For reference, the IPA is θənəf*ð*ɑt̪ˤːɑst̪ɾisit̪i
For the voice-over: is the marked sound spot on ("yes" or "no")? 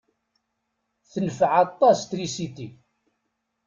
no